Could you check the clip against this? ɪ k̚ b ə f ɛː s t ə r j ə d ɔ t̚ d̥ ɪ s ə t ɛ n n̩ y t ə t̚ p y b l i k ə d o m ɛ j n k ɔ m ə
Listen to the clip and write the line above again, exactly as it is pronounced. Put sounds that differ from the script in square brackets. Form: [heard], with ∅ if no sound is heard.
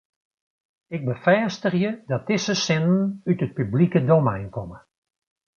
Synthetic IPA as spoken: ɪ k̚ b ə f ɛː s t ə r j ə d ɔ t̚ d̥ ɪ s ə [s] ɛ n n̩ y t ə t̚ p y b l i k ə d o m ɛ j n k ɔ m ə